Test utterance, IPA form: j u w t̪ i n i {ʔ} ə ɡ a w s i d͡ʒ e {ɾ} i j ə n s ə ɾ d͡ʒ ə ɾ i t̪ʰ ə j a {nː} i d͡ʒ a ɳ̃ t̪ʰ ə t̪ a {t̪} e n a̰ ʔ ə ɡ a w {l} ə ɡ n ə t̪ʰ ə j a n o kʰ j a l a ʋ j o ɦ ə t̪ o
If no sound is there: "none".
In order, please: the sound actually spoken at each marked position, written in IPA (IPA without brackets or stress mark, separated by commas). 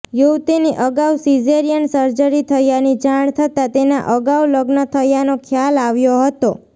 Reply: ʔ, ɾ, n, t̪, l